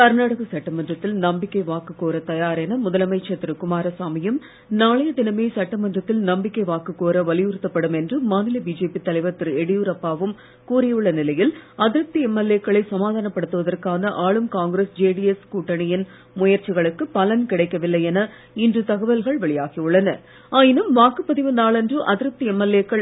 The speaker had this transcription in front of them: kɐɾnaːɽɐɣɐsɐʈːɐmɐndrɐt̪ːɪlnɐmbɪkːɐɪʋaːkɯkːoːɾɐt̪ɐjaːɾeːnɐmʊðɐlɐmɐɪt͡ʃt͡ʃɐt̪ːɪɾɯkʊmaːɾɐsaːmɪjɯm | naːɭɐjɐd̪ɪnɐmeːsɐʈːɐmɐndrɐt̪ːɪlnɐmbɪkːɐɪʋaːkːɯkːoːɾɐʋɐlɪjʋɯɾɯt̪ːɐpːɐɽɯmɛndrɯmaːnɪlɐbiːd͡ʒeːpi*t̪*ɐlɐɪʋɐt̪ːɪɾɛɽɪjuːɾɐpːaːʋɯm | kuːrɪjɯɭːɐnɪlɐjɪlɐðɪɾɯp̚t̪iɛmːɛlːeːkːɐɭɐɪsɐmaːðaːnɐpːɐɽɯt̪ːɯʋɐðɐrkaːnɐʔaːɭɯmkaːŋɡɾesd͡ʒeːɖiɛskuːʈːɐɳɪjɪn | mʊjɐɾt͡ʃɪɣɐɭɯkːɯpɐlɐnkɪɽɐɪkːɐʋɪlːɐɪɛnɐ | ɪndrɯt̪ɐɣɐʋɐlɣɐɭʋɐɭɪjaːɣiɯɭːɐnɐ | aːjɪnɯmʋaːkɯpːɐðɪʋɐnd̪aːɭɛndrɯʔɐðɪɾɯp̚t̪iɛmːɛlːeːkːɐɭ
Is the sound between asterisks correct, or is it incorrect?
correct